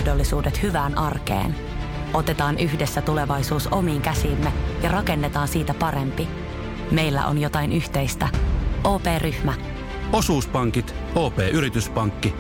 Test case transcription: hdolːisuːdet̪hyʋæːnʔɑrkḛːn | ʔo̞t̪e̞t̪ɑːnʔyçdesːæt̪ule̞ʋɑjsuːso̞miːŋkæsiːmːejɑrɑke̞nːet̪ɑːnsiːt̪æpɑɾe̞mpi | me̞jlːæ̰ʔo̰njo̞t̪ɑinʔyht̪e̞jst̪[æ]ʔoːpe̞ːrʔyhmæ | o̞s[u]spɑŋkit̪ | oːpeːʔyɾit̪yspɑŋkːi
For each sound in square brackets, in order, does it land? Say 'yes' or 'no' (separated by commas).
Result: yes, no